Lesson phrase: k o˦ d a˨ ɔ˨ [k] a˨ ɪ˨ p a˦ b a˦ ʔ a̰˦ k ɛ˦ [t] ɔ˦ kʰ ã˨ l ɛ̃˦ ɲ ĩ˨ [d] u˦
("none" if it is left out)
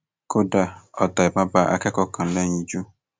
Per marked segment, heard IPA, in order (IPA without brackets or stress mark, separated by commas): t, k, d͡ʒ